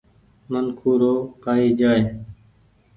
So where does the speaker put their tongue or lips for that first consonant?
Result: lips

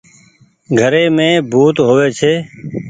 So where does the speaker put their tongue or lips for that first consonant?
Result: velum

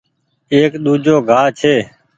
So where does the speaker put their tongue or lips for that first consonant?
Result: velum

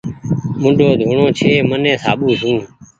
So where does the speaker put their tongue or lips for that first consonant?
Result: lips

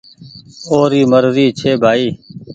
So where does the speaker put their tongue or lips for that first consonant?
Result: tongue tip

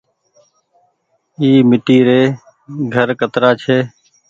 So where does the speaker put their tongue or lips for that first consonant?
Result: lips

